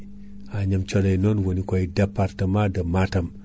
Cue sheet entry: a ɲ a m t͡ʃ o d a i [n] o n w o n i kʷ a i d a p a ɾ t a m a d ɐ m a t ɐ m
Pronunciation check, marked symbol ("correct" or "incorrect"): correct